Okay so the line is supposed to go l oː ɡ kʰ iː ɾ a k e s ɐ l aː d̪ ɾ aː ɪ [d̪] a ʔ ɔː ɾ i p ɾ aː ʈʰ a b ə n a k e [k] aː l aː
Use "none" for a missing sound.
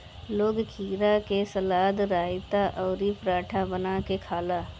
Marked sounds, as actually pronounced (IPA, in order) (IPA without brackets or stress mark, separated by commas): t̪, kʰ